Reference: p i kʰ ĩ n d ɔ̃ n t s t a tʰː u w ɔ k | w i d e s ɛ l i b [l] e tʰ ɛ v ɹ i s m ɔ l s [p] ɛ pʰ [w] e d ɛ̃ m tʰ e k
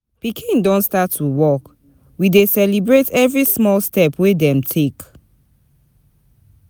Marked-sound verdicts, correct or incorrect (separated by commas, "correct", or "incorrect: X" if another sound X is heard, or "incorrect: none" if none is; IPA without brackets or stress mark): incorrect: ɹ, incorrect: t, correct